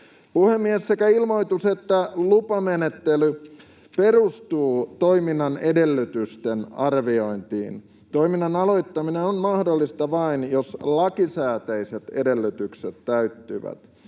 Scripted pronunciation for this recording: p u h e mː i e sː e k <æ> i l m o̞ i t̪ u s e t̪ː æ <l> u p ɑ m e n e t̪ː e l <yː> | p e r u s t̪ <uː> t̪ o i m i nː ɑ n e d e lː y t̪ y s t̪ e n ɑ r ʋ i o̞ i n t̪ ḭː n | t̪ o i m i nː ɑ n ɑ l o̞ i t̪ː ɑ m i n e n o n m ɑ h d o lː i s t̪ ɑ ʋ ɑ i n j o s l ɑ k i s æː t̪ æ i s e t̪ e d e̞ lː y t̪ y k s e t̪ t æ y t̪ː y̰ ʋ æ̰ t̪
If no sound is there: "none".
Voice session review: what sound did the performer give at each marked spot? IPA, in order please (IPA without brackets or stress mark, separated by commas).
æ, l, y, uː